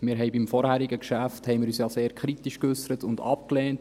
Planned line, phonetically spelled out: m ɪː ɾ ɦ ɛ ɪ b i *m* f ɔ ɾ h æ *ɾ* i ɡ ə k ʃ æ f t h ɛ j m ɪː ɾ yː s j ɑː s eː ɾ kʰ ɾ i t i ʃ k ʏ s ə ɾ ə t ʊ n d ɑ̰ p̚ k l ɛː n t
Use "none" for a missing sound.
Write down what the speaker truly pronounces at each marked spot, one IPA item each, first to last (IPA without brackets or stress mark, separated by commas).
m, ɾ